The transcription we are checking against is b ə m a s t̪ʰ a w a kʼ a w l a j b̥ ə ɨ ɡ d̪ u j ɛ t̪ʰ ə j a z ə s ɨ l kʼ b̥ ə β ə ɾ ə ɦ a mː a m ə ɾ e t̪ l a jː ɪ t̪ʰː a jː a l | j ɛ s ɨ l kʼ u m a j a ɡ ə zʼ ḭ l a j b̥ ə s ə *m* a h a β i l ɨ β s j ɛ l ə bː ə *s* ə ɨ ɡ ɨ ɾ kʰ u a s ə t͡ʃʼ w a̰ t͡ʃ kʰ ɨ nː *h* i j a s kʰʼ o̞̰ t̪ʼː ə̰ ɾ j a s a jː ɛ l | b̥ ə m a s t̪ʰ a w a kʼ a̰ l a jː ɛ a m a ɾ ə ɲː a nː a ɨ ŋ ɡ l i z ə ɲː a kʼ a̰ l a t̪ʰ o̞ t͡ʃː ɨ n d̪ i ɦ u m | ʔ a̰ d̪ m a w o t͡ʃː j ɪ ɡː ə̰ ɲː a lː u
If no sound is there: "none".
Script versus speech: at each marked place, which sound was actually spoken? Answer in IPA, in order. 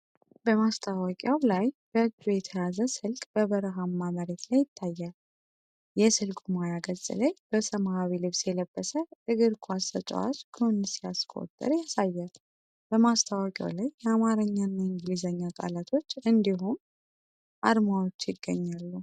m, s, s

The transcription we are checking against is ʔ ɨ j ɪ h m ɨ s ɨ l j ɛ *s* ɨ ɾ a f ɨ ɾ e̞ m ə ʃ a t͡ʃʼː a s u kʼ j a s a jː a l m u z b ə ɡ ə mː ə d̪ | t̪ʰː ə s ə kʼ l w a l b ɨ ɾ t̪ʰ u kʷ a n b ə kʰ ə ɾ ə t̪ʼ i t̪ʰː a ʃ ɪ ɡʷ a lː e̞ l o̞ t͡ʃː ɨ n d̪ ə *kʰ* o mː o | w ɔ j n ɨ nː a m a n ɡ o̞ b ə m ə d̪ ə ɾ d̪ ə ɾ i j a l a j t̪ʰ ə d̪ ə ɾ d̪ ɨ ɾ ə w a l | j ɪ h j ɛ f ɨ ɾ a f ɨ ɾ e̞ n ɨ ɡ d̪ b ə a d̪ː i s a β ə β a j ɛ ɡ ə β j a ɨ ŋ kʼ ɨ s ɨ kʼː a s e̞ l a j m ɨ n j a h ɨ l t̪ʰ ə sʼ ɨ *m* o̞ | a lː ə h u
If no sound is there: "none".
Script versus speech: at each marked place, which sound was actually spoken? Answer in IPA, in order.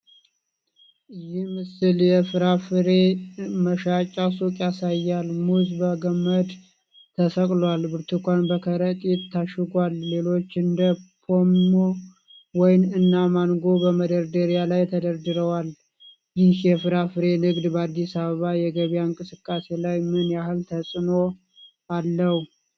f, pʰ, n

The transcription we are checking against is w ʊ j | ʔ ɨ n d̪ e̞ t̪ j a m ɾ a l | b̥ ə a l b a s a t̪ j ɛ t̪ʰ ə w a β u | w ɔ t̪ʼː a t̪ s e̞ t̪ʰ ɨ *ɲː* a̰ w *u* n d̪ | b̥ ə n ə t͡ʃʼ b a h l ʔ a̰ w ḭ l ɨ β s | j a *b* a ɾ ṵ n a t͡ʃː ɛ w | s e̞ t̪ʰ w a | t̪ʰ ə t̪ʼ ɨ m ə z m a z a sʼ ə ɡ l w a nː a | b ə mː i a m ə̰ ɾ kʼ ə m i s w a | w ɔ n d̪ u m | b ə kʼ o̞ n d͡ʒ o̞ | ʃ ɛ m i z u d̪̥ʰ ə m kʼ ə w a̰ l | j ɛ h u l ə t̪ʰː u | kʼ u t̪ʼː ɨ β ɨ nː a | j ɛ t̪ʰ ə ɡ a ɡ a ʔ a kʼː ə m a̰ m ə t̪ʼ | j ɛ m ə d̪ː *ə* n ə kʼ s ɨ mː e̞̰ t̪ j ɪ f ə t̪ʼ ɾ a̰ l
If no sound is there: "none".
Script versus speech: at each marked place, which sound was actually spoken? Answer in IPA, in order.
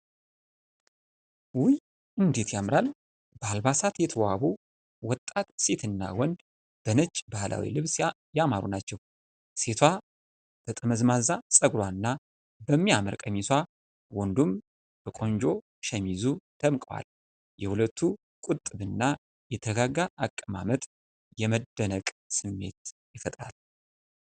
nː, ɔ, m, ə

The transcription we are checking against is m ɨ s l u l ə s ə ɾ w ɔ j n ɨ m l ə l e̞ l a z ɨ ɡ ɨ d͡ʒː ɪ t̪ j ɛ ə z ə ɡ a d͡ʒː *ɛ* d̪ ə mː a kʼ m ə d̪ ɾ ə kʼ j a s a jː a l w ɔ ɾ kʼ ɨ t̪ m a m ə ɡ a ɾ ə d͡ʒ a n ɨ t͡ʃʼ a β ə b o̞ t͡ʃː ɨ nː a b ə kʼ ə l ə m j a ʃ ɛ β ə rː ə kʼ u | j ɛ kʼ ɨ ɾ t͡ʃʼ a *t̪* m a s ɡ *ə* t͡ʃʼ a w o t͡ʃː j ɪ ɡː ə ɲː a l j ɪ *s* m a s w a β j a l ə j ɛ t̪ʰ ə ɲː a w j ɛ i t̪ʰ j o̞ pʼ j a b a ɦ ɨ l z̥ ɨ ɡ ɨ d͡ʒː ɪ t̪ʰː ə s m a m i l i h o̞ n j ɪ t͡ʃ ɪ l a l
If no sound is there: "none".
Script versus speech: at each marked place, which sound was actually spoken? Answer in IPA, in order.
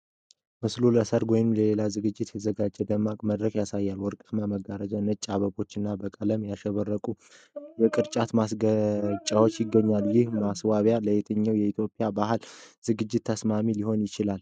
ɛ, t̪, ə, h

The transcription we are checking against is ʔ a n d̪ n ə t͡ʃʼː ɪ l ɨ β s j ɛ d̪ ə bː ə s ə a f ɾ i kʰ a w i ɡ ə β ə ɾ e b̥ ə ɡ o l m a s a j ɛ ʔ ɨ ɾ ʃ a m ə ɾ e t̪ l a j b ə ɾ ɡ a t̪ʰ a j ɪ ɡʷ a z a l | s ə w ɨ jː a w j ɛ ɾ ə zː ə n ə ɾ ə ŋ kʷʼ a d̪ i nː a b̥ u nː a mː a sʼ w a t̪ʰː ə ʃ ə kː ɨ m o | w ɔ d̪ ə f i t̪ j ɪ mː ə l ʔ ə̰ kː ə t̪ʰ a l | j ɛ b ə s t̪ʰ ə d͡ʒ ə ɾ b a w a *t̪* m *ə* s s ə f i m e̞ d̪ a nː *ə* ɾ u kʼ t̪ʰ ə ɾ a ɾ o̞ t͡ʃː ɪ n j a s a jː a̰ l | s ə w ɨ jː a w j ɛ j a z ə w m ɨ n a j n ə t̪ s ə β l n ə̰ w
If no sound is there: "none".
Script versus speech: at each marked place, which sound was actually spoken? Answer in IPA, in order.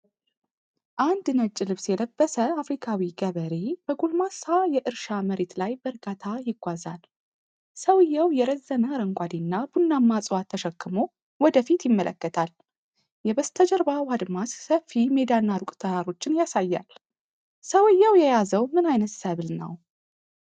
d̪, a, a

